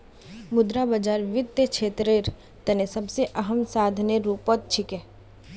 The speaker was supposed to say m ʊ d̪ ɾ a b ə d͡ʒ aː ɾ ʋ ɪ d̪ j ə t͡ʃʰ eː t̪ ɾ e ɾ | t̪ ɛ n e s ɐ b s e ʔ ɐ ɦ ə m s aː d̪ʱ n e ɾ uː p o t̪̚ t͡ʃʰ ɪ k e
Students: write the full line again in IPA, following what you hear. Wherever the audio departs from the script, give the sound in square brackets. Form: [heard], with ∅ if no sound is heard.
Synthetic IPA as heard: m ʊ d̪ ɾ a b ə d͡ʒ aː ɾ ʋ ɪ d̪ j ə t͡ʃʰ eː t̪ ɾ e ɾ | t̪ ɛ n e s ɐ b s e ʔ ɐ ɦ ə m s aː d̪ʱ n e ɾ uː p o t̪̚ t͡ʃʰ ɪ k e